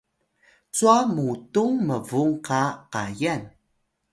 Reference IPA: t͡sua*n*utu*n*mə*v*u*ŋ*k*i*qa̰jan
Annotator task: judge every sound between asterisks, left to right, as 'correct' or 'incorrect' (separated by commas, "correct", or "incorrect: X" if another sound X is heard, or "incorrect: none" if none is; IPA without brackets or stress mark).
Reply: incorrect: m, incorrect: ŋ, correct, correct, incorrect: a